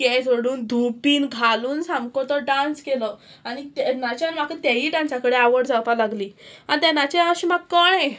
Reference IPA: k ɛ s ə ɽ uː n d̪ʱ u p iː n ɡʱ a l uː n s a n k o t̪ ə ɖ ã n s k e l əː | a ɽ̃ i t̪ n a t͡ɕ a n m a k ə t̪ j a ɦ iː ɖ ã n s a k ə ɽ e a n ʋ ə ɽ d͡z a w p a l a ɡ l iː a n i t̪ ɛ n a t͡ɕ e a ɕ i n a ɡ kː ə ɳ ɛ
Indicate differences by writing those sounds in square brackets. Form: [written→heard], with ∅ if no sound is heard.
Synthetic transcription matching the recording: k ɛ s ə ɽ uː n d̪ʱ u p iː n ɡʱ a l uː n s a [n→m] k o t̪ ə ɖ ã n s k e l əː | a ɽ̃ i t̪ n a t͡ɕ a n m a k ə t̪ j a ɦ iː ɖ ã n s a k ə ɽ e a [n→∅] ʋ ə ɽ d͡z a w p a l a ɡ l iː a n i t̪ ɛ n a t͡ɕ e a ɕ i [n→m] a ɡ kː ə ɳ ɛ